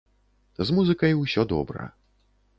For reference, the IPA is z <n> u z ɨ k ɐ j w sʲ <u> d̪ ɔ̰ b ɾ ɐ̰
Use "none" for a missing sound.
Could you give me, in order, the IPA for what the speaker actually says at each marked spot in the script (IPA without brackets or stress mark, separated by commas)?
m, ɔ